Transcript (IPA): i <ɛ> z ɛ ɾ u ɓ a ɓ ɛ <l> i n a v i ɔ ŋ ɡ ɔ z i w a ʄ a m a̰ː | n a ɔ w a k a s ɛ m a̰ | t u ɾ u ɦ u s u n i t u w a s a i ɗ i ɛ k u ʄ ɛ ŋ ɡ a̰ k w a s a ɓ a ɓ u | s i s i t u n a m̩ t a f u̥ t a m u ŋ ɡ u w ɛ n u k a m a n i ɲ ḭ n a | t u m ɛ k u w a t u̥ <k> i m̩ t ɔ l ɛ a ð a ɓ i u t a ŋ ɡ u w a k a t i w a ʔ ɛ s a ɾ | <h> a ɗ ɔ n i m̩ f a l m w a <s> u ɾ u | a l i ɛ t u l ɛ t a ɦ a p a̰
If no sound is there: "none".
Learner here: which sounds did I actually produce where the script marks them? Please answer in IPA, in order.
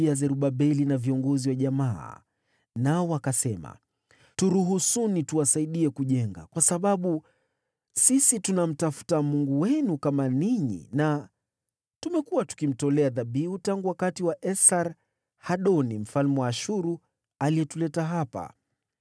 a, l, k, h, ʃ

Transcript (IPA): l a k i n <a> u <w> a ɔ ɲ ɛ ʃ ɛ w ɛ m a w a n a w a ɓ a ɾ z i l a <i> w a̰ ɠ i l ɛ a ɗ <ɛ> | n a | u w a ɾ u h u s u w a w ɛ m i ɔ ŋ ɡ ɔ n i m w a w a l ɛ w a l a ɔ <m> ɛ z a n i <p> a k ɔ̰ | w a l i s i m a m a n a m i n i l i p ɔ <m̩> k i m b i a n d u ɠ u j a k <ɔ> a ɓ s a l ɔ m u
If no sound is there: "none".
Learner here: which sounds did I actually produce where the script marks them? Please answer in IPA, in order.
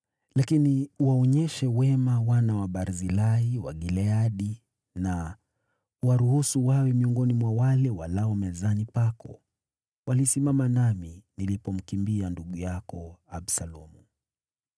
i, w, i, i, m, p, m̩, ɔ

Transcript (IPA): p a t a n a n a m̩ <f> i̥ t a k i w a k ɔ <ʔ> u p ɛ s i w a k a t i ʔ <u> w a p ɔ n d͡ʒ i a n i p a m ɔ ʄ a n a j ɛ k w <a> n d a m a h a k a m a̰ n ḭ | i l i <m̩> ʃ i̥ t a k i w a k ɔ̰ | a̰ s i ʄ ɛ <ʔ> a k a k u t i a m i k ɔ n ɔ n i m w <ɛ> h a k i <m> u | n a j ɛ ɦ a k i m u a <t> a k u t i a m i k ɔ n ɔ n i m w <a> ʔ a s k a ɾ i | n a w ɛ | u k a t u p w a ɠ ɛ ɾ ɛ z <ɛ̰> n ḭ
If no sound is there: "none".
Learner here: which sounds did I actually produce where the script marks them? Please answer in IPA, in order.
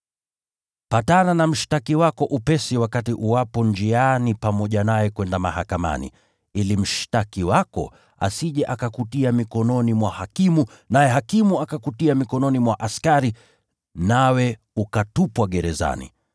ʃ, ʔ, u, ɛ, m̩, ʔ, a, m, k, a, a̰

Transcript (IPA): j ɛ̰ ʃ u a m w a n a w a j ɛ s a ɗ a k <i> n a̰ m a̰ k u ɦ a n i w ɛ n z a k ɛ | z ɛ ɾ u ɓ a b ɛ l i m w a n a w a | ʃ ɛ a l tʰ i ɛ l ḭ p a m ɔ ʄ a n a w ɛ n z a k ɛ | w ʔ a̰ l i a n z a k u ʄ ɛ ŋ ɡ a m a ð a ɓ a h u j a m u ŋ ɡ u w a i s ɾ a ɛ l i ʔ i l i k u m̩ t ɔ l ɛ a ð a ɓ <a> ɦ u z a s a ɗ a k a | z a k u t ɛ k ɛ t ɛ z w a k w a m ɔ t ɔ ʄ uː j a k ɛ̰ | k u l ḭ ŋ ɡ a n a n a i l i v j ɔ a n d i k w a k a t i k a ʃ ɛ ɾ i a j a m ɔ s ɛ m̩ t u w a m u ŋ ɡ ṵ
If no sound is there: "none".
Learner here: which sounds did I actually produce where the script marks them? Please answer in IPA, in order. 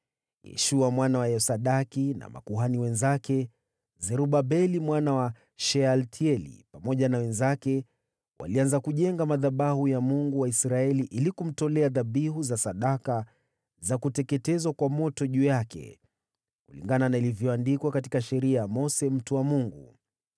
i, i

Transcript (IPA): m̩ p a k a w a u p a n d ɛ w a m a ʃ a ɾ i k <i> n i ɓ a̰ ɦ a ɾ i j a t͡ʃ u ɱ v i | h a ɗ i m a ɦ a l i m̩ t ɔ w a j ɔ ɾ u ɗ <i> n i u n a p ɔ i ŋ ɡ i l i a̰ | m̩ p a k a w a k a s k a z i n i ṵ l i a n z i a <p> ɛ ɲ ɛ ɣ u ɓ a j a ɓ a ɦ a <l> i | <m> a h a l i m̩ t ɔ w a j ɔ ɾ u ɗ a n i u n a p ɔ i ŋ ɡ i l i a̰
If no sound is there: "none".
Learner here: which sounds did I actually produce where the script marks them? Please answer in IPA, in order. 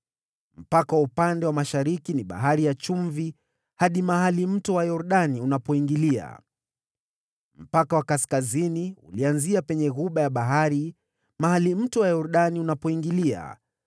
i, a, p, ɾ, m

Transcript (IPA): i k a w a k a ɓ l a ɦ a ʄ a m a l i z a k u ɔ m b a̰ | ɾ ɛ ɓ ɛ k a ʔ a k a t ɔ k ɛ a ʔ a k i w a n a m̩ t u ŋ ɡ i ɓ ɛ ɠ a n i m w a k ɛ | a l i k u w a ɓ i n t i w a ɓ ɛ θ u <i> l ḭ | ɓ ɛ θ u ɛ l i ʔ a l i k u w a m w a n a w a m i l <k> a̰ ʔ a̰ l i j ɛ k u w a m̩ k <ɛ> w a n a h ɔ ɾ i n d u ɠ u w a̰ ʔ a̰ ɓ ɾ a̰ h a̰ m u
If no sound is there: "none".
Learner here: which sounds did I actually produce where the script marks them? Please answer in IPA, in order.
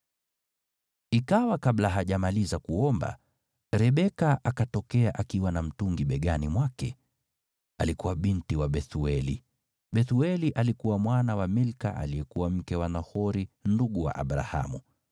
ɛ, k, ɛ

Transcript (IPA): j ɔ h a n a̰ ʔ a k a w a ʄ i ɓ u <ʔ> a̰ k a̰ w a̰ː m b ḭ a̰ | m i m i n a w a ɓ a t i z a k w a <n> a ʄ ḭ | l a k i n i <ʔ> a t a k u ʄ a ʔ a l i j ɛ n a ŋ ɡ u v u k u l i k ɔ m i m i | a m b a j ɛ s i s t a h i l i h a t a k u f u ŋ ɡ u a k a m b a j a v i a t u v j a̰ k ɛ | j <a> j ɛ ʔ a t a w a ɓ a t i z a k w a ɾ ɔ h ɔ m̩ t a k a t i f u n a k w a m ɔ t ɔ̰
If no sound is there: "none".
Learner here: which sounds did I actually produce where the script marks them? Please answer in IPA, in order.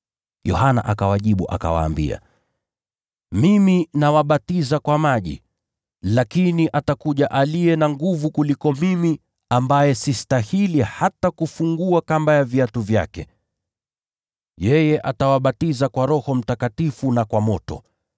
ʔ, m, ʔ, ɛ

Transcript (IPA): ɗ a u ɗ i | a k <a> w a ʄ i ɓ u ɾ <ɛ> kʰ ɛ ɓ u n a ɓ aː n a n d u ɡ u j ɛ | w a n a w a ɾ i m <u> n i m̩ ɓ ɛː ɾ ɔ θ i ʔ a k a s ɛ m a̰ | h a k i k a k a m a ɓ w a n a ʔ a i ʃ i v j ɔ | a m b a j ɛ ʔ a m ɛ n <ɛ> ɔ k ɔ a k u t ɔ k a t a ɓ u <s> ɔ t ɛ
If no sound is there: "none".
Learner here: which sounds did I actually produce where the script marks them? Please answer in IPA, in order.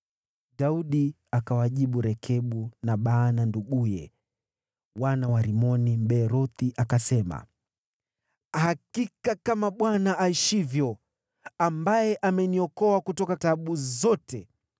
a, ɛ, ɔ, i, z

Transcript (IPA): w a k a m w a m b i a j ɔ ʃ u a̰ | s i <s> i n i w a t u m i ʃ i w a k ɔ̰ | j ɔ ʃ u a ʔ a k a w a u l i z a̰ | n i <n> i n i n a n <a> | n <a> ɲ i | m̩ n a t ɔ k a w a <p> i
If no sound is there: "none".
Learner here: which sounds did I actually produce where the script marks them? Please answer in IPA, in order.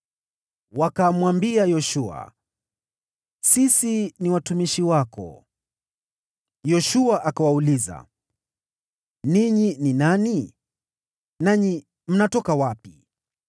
s, ɲ, i, a, p

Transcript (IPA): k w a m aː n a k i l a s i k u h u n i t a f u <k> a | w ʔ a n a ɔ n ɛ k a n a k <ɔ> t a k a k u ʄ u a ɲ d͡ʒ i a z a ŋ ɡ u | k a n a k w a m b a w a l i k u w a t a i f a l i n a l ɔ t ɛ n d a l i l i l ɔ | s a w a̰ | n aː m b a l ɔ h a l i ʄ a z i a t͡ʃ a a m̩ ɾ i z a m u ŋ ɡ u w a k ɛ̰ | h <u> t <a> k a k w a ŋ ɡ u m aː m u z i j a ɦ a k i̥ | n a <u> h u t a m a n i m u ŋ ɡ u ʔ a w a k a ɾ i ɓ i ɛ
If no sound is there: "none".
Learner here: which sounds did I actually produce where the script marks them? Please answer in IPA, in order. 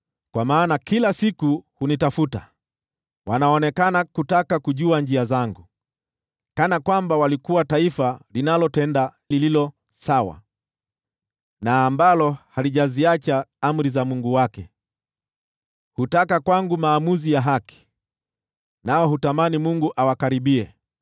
t, u, u, a, ɔ

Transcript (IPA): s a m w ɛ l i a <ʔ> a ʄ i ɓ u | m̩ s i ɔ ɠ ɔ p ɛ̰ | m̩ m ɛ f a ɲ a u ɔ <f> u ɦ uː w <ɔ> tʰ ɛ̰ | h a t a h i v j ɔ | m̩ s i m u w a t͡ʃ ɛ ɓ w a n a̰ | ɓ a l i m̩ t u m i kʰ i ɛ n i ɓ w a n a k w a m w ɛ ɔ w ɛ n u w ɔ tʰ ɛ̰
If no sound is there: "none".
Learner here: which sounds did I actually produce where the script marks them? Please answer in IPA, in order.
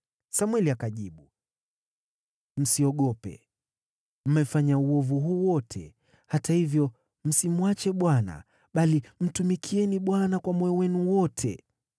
k, v, ɔ

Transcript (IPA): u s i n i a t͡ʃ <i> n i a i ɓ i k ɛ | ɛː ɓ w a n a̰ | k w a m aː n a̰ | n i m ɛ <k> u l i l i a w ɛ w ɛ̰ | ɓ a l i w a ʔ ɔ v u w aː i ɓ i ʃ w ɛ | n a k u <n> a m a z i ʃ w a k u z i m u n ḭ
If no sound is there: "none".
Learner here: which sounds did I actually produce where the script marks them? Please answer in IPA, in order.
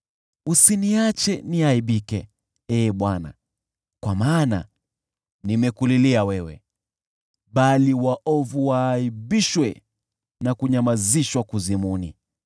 ɛ, k, ɲ

